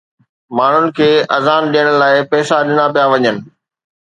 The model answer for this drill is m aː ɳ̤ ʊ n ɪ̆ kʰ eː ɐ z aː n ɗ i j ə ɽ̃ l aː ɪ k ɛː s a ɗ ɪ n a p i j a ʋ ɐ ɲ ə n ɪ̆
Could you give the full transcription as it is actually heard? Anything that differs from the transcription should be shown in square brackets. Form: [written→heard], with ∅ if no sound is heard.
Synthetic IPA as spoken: m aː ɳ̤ ʊ n ɪ̆ kʰ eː ɐ z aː n ɗ i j ə ɽ̃ l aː ɪ [k→p] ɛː s a ɗ ɪ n a p i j a ʋ ɐ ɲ ə n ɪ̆